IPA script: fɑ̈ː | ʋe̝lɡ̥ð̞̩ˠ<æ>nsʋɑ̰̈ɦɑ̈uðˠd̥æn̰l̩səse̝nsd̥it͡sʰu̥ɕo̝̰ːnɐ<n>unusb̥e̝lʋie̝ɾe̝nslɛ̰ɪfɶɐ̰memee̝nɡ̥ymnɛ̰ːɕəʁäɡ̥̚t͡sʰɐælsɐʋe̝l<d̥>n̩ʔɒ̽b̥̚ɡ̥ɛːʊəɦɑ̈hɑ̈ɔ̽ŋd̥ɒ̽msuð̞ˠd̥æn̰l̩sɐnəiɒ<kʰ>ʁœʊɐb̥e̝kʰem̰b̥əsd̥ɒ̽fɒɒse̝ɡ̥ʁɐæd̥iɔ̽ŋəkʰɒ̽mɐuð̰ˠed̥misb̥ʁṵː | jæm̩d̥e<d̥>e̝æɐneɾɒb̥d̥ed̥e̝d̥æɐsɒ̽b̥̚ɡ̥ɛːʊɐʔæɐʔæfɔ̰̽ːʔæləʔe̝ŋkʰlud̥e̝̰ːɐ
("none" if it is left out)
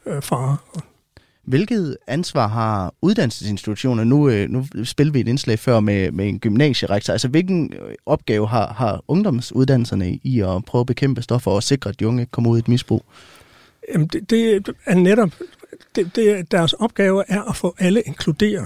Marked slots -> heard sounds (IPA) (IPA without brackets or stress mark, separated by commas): æ, n, ɡ̥, pʰ, d̥